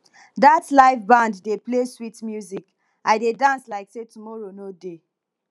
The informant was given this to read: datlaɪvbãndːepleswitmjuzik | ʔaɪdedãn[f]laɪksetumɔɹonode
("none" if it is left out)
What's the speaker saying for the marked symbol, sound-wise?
s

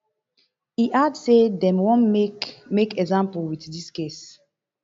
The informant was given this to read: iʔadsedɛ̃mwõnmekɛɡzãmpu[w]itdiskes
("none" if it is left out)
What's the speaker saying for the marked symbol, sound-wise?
w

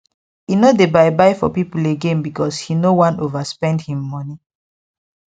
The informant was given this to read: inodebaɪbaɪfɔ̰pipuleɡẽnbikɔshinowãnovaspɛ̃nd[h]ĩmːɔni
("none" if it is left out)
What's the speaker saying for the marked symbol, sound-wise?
h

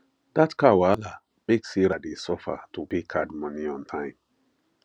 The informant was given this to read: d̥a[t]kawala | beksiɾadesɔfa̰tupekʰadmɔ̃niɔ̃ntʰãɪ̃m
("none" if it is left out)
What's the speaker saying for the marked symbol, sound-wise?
t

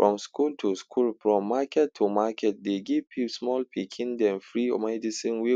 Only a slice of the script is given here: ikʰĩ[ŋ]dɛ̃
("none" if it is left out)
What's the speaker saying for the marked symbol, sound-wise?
n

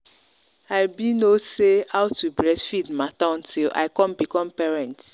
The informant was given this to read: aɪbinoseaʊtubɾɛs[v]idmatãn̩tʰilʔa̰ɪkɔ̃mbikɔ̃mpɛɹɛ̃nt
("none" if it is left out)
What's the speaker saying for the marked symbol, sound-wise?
f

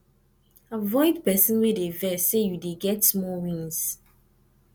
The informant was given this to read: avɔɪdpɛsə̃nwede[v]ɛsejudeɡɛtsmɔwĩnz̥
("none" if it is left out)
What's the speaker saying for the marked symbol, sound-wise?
v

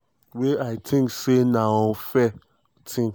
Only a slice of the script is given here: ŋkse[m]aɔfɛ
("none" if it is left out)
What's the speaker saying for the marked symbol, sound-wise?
n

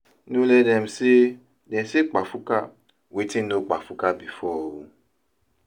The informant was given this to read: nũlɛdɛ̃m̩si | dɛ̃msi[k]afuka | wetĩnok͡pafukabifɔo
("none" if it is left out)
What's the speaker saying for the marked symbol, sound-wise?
k͡p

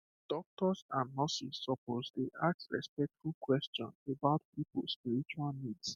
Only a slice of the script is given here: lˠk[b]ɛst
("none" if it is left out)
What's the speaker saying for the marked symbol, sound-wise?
w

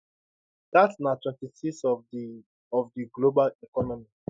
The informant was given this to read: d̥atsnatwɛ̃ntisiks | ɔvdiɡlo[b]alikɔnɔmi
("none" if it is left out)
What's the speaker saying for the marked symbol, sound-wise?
b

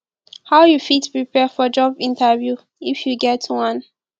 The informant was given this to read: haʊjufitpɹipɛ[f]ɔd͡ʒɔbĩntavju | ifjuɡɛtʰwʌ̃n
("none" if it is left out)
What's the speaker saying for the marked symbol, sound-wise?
f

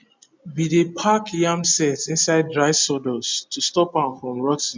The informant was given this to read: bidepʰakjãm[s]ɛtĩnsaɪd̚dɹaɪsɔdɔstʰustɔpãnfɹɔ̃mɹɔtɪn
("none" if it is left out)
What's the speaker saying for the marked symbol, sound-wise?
s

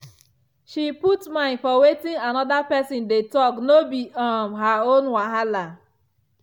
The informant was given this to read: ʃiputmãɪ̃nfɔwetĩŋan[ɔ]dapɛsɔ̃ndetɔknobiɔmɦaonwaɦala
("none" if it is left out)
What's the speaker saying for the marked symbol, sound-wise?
ɔ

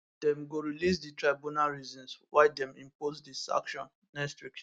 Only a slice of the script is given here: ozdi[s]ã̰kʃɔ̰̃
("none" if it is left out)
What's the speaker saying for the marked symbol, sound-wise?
s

